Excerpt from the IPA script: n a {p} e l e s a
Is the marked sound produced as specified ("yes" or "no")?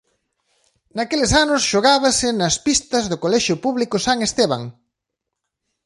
no